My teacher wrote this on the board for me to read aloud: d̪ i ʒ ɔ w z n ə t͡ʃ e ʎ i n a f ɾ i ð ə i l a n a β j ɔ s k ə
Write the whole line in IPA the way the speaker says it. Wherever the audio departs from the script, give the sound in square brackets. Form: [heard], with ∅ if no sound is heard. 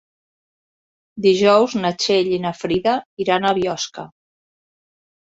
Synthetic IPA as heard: d̪ i ʒ ɔ w z n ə t͡ʃ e ʎ i n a f ɾ i ð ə i [ɾ] a n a β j ɔ s k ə